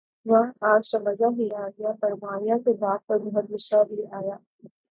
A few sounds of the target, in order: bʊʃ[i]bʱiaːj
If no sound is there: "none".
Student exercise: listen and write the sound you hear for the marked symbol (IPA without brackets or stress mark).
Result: a